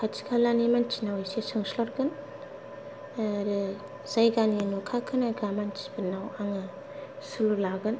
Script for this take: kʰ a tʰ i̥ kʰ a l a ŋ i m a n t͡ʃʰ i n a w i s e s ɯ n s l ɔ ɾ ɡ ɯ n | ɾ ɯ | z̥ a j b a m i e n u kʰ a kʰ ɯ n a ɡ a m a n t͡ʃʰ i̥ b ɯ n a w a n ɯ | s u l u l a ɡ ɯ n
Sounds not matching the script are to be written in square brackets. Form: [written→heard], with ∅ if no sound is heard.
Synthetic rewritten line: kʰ a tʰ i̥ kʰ a l a [ŋ→n] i m a n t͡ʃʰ i n a w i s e s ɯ [n→ŋ] s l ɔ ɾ ɡ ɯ n | ɾ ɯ | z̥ a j [b→ɡ] a [m→n] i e n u kʰ a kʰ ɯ n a ɡ a m a n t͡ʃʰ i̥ b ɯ n a w a [n→ŋ] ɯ | s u l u l a ɡ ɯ n